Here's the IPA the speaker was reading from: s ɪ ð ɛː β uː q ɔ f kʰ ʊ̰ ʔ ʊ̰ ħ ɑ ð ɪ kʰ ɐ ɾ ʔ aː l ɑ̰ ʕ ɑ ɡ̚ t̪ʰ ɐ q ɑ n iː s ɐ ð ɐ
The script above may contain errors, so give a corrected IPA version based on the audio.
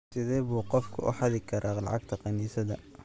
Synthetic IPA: s ɪ ð ɛː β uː q ɔ f kʰ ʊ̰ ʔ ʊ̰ ħ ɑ ð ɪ kʰ ɐ ɾ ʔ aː l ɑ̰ ʕ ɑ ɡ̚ t̪ʰ ɐ q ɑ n iː s ɐ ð ɐ

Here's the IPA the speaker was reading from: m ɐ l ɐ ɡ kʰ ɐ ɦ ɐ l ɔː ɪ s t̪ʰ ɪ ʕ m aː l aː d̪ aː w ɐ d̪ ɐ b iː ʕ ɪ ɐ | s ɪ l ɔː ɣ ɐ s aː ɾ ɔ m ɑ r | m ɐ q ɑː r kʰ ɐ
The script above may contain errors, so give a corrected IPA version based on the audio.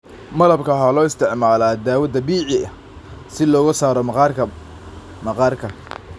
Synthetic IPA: m ɐ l ɐ b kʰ ɐ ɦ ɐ l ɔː ɪ s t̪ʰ ɪ ʕ m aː l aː d̪ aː w ɐ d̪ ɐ b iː ʕ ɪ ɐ | s ɪ l ɔː ɣ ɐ s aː ɾ ɔ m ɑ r | m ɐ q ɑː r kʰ ɐ

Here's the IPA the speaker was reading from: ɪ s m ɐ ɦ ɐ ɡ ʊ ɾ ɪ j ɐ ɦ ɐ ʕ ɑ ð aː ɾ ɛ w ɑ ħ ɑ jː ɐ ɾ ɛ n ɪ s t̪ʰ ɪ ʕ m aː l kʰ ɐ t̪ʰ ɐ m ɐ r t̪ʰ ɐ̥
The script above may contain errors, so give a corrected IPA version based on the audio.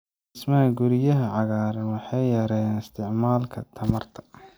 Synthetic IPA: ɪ s m ɐ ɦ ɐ ɡ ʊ ɾ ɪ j ɐ ɦ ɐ ʕ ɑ ɣ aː ɾ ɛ w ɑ ħ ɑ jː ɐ ɾ ɛ n ɪ s t̪ʰ ɪ ʕ m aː l kʰ ɐ t̪ʰ ɐ m ɐ r t̪ʰ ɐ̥

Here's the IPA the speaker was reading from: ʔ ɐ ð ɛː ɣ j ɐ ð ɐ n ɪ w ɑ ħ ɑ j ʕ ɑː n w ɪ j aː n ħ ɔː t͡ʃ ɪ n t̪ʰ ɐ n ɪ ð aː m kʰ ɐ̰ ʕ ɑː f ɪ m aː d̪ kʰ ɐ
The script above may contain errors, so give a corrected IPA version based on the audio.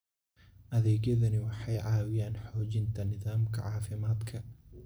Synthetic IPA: ʔ ɐ ð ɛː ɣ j ɐ ð ɐ n ɪ w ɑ ħ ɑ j ʕ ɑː w ɪ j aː n ħ ɔː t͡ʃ ɪ n t̪ʰ ɐ n ɪ ð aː m kʰ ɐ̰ ʕ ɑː f ɪ m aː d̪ kʰ ɐ

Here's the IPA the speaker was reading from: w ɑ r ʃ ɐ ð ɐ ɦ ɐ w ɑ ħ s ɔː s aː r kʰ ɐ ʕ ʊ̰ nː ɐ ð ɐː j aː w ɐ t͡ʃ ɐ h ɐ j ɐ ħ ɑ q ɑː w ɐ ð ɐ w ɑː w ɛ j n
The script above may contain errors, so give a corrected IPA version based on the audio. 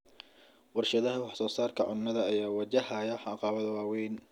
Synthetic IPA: w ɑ r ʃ ɐ ð ɐ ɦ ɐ w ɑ ħ s ɔː s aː r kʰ ɐ ʕ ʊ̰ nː ɐ ð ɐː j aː w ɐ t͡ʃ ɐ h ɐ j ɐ ħ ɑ q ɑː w ɐ ð ɐ w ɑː w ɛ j n

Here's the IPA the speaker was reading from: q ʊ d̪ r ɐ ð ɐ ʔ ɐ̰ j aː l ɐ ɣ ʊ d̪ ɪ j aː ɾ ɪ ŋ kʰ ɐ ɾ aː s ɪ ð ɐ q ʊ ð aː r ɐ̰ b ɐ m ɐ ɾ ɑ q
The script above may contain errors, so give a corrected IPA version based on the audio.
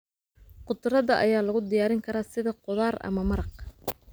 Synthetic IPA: q ʊ d̪ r ɐ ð ɐ ʔ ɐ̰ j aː l ɐ ɣ ʊ d̪ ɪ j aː ɾ ɪ ŋ kʰ ɐ ɾ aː s ɪ ð ɐ q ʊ ð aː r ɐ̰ m ɐ m ɐ ɾ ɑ q

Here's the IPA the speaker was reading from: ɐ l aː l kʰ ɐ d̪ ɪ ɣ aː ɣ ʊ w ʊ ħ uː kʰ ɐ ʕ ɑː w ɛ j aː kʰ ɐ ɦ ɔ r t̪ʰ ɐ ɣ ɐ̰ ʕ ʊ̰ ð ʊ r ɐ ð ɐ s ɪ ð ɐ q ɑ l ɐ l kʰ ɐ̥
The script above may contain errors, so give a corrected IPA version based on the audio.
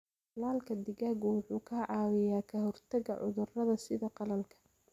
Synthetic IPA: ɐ l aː l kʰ ɐ d̪ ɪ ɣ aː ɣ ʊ w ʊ ħ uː kʰ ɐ ʕ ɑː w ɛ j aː kʰ ɐ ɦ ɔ r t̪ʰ ɐ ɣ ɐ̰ ʕ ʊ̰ ð ʊ r ɐ ð ɐ s ɪ ð ɐ q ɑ l ɐ l kʰ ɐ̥

